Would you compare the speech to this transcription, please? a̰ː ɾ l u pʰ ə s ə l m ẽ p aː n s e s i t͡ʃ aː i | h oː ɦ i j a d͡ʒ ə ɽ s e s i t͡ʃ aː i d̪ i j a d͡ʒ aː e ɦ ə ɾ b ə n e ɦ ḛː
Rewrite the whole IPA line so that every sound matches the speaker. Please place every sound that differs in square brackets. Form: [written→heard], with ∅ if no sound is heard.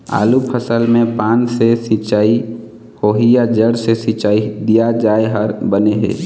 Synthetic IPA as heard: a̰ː [ɾ→∅] l u pʰ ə s ə l m ẽ p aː n s e s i t͡ʃ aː i | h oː ɦ i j a d͡ʒ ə ɽ s e s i t͡ʃ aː i d̪ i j a d͡ʒ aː e ɦ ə ɾ b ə n e ɦ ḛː